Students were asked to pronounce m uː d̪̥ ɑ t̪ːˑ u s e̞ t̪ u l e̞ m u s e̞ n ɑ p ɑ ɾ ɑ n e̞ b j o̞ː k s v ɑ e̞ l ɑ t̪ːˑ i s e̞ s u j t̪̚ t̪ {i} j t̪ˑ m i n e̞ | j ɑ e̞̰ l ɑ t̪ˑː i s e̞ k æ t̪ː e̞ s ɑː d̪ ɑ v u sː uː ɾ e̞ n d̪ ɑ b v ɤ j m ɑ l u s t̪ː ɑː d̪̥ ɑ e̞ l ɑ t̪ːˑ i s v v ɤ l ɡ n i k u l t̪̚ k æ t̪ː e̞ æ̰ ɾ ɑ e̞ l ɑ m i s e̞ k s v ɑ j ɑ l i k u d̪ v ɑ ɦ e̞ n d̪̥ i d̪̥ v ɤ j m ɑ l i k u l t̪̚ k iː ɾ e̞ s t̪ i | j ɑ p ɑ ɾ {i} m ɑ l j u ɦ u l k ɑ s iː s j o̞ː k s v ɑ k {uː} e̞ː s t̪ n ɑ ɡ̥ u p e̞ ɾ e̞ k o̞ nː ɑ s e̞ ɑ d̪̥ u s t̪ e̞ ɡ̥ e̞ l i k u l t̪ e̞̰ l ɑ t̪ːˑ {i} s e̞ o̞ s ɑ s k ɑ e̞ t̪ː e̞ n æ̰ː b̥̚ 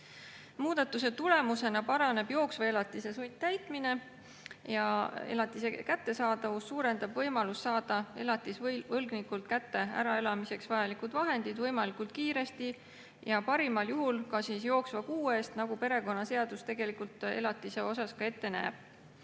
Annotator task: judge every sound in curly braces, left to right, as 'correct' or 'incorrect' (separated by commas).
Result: incorrect, correct, correct, correct